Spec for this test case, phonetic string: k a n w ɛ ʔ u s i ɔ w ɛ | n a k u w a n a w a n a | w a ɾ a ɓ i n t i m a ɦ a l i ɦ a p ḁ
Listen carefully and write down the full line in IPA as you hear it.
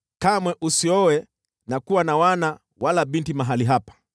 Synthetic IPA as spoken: k a m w ɛ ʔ u s i ɔ w ɛ | n a k u w a n a w a n a | w a l a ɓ i n t i m a ɦ a l i ɦ a p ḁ

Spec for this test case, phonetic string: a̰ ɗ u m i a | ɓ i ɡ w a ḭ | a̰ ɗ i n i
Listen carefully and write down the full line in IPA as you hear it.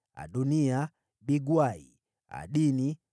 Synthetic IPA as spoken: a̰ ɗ u n i a | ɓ i ɡ w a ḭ | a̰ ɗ i n i

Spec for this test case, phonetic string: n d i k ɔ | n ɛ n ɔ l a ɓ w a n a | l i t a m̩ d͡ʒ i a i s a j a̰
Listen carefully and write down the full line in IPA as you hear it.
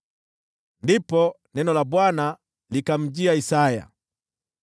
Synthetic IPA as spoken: n d i p ɔ | n ɛ n ɔ l a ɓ w a n a | l i k a m̩ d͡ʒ i a i s a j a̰

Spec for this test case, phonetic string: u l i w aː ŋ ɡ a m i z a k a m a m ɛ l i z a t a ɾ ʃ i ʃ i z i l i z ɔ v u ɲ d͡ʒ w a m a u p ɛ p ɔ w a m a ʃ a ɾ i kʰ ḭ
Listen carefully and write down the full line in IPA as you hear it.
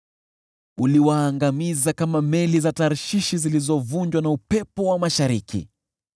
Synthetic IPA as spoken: u l i w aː ŋ ɡ a m i z a k a m a m ɛ l i z a t a ɾ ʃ i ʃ i z i l i z ɔ v u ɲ d͡ʒ w a n a u p ɛ p ɔ w a m a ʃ a ɾ i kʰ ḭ

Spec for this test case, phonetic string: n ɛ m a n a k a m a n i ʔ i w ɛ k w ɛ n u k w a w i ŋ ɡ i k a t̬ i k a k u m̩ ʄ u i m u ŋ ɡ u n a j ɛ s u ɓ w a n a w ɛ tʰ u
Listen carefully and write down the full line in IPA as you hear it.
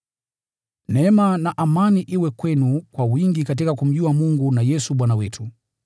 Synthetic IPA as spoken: n ɛ m a n a ʔ a m a n i ʔ i w ɛ k w ɛ n u k w a w i ŋ ɡ i k a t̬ i k a k u m̩ ʄ u a m u ŋ ɡ u n a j ɛ s u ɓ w a n a w ɛ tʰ u

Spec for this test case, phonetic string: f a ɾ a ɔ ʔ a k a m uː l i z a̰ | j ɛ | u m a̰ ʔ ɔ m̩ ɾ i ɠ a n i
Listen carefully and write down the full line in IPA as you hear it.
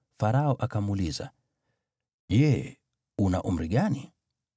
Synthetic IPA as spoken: f a ɾ a ɔ ʔ a k a m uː l i z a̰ | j ɛ | u n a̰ ʔ u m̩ ɾ i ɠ a n i

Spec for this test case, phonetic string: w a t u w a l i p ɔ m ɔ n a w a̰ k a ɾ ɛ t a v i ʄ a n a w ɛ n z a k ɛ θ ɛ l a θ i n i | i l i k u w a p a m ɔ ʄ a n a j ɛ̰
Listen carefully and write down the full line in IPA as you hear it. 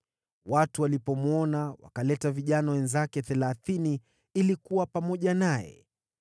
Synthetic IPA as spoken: w a t u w a l i p ɔ m ɔ n a w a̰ k a l ɛ t a v i ʄ a n a w ɛ n z a k ɛ θ ɛ l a θ i n i | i l i k u w a p a m ɔ ʄ a n a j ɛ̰

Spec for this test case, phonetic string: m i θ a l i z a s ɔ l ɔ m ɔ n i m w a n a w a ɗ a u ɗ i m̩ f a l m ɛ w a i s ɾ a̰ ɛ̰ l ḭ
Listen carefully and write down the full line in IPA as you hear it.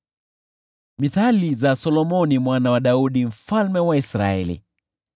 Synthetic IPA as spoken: m i θ a l i z a s ɔ l ɔ m ɔ n i m w a n a w a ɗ a u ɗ i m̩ f a l m ɛ w a i s ɾ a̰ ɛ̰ l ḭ

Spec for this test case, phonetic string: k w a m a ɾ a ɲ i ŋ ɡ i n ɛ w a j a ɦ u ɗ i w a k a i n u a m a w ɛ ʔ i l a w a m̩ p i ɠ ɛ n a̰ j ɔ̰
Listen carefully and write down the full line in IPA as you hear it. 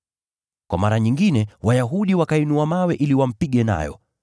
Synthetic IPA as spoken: k w a m a ɾ a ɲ i ŋ ɡ i n ɛ w a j a ɦ u ɗ i w a k a i n u a m a w ɛ ʔ i l i w a m̩ p i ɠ ɛ n a̰ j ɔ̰

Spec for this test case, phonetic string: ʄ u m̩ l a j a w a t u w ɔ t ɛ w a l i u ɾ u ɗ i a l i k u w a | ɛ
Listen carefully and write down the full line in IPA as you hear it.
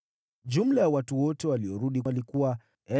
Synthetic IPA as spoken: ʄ u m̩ l a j a w a t u w ɔ t ɛ w a l i ɔ ɾ u ɗ i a l i k u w a | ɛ

